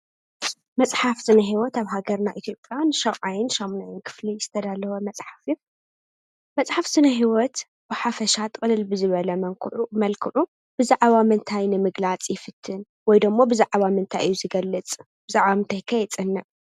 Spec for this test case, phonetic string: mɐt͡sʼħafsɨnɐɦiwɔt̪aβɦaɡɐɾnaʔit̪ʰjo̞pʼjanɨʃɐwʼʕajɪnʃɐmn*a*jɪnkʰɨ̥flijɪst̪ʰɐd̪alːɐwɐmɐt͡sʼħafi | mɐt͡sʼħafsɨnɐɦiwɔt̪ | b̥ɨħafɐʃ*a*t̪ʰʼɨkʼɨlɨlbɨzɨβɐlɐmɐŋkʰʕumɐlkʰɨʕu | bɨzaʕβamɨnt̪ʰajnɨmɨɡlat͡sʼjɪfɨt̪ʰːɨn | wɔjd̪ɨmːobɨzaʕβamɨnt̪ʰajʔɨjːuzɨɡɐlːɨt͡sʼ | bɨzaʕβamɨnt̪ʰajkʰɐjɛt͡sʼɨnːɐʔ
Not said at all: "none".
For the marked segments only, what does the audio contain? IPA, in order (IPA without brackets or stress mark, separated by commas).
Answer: a, a